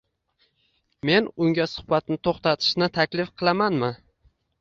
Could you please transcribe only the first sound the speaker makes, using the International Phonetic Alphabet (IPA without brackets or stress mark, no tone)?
m